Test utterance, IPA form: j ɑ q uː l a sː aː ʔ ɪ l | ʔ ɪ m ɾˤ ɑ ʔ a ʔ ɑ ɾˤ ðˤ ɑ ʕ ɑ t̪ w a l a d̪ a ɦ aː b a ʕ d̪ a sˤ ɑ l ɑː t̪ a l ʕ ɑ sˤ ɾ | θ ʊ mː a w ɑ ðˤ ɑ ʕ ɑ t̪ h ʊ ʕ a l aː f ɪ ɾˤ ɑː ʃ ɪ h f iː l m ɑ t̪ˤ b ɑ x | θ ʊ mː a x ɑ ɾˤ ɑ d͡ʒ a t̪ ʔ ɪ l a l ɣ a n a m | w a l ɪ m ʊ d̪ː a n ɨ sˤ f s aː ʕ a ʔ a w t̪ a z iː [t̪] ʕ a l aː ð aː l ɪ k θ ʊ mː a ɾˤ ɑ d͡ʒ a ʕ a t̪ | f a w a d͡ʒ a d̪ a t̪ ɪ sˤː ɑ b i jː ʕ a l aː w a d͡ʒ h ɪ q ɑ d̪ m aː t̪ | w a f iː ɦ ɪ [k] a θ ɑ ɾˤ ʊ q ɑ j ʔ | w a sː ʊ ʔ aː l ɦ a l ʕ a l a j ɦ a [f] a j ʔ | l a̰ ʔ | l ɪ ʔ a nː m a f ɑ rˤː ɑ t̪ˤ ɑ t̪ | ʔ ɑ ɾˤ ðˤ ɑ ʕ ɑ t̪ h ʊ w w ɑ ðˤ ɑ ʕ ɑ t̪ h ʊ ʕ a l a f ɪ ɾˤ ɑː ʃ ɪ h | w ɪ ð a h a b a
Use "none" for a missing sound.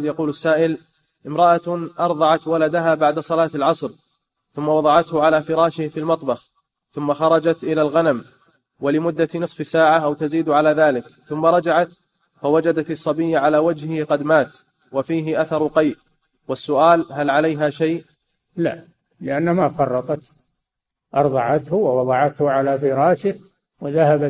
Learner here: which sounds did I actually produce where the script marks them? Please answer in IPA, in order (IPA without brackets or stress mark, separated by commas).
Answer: d̪, ʔ, ʃ